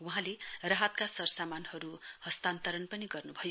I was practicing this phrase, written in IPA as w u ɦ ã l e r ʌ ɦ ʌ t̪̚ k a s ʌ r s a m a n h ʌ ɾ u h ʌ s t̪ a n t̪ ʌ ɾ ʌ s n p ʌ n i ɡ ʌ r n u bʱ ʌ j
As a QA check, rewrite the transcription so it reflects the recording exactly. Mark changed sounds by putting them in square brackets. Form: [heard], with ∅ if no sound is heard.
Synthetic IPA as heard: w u ɦ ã l e r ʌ ɦ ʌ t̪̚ k a s ʌ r s a m a n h ʌ ɾ u h ʌ s t̪ a n t̪ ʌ ɾ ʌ [∅] n p ʌ n i ɡ ʌ r n u bʱ ʌ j